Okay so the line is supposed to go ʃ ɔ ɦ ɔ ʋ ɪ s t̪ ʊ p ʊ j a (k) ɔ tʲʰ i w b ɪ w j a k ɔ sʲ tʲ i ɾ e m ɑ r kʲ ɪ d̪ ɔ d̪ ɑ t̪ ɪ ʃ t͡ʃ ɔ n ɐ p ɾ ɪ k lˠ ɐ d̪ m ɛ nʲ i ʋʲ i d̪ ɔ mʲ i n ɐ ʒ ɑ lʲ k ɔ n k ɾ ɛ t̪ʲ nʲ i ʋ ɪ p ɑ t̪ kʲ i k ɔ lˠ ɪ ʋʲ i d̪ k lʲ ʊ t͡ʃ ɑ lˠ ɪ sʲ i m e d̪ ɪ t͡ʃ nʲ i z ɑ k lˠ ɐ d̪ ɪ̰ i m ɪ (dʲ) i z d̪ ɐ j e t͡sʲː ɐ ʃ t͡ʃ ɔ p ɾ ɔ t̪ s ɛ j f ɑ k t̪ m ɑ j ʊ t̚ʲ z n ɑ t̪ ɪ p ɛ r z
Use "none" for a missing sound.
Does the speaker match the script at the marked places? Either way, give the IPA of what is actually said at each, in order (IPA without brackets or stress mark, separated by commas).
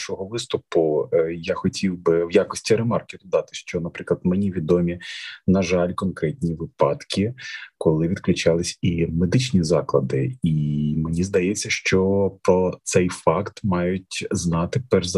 x, nʲ